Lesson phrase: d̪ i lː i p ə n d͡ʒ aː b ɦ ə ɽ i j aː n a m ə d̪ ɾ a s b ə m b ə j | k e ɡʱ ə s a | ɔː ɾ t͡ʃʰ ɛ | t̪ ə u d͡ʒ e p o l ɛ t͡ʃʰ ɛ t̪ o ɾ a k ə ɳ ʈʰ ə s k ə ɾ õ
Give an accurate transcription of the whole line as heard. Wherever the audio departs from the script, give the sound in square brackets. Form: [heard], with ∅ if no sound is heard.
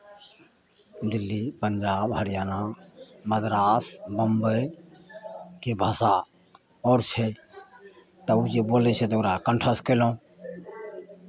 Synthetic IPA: d̪ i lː i p ə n d͡ʒ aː b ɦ ə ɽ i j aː n a m ə d̪ ɾ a s b ə m b ə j | k e [bʱ] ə s a | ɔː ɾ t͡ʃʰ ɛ | t̪ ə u d͡ʒ e [b] o l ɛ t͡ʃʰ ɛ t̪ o ɾ a k ə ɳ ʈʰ ə s k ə [l] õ